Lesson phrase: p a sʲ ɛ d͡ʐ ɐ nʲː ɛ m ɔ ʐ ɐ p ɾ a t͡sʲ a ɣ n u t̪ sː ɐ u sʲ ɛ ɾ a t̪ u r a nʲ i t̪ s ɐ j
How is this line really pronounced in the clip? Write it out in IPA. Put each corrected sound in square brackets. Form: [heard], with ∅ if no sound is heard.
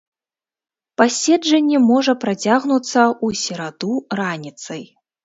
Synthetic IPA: p a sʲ ɛ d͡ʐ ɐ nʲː ɛ m ɔ ʐ ɐ p ɾ a t͡sʲ a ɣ n u t̪ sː ɐ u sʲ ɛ ɾ a [d̪] u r a nʲ i t̪ s ɐ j